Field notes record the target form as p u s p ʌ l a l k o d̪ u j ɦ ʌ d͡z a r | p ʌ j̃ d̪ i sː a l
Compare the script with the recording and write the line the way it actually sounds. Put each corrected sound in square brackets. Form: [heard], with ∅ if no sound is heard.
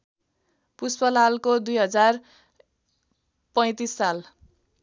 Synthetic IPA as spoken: p u s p ʌ l a l k o d̪ u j ɦ ʌ d͡z a r | p ʌ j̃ [t̪] i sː a l

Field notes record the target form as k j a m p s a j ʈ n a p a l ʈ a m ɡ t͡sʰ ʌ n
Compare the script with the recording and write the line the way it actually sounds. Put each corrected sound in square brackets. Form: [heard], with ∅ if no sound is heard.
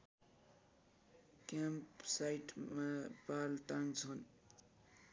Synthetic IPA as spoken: k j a m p s a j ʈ [m] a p a l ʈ a [ŋ] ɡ t͡sʰ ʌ n

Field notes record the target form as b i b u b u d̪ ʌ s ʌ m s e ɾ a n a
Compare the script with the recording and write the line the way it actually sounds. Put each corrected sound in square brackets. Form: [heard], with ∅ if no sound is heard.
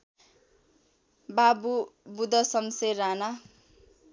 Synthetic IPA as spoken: b [a] b u b u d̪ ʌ s ʌ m s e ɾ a n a

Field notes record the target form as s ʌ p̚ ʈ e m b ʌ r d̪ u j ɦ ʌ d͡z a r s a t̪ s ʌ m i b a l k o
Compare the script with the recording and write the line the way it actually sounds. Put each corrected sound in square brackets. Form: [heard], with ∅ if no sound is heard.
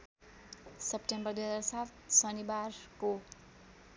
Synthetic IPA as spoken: s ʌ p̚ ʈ e m b ʌ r d̪ u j ɦ ʌ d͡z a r s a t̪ s ʌ [n] i b a [r] k o

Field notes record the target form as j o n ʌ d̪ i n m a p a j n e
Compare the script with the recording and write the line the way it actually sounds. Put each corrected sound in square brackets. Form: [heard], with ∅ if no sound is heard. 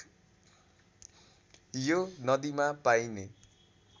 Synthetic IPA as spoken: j o n ʌ d̪ i [∅] m a p a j n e

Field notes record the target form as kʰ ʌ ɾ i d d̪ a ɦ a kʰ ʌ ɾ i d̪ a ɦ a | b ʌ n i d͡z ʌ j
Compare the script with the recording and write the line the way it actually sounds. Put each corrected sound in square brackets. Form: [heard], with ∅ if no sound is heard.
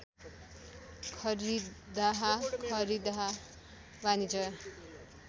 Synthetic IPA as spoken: kʰ ʌ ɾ i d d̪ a ɦ a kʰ ʌ ɾ i d̪ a ɦ a | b [a] n i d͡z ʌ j

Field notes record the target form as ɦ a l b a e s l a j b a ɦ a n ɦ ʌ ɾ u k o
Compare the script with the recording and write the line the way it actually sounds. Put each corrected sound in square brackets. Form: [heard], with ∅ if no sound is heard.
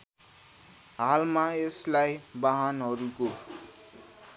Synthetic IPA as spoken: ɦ a l [m] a e s l a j b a ɦ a n ɦ ʌ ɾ u k o

